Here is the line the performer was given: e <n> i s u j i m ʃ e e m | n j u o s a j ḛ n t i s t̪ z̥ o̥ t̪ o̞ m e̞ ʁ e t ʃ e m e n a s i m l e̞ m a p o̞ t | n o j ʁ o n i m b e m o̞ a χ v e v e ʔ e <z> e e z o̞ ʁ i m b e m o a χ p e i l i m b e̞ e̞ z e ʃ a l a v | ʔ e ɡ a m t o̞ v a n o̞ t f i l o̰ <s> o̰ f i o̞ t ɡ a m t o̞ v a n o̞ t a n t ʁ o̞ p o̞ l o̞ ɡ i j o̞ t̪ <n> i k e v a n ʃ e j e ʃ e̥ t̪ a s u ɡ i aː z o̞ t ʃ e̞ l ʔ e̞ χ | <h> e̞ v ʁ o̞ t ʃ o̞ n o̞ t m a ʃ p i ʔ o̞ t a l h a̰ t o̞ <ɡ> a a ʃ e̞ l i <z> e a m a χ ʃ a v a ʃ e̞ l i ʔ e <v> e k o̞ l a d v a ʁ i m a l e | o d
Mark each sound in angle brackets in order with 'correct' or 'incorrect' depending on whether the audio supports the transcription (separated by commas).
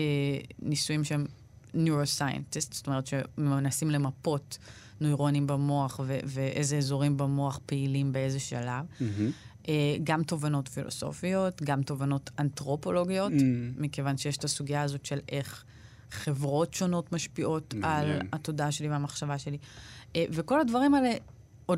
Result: correct, correct, correct, incorrect, incorrect, incorrect, incorrect, correct